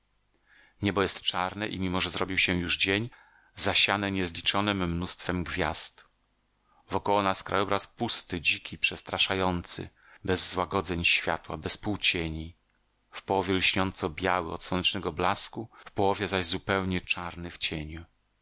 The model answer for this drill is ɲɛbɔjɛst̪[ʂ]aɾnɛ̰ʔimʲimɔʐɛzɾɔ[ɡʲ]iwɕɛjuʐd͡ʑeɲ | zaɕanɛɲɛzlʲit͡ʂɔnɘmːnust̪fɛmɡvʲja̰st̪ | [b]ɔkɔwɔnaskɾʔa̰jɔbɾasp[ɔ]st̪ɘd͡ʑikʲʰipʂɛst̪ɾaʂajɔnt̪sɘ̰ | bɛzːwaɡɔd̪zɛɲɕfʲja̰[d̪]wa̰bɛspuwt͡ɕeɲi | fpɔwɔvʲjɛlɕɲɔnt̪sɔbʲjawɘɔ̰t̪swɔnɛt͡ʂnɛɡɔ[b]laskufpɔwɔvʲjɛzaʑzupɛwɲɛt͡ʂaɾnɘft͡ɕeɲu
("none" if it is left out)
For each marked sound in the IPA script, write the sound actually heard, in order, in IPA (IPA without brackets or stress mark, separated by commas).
t͡ʂ, bʲ, v, u, t̪, b